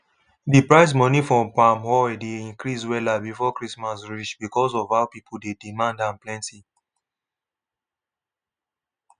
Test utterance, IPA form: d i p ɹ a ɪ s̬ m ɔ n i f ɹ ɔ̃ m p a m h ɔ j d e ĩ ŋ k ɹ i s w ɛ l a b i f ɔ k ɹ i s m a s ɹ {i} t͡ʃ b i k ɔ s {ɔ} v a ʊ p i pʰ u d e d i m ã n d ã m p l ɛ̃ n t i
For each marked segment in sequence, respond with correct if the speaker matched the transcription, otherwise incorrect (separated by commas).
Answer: correct, correct